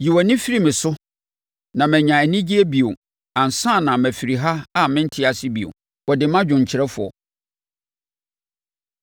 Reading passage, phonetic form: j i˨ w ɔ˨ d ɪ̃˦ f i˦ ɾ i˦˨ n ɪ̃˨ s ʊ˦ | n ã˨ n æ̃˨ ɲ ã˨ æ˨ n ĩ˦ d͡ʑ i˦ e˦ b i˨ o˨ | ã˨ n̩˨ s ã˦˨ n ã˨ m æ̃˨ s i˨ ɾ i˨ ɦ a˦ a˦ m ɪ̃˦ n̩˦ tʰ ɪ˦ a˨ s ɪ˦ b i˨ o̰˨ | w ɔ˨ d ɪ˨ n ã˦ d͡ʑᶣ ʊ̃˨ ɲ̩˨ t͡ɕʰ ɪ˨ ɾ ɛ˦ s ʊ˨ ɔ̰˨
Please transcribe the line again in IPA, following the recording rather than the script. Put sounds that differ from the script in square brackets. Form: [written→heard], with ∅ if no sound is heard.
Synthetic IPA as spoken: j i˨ w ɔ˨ [d→n] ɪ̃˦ f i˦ ɾ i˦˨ [n→m] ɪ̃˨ s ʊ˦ | n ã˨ [n→m] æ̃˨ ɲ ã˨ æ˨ n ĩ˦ d͡ʑ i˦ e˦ b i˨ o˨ | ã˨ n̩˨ s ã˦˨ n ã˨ m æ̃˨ [s→f] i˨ ɾ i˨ ɦ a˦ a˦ m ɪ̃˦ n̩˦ tʰ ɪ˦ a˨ s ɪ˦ b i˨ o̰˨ | w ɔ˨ d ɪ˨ [n→m] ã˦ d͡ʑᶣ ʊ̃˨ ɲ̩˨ t͡ɕʰ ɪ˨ ɾ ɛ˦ [s→f] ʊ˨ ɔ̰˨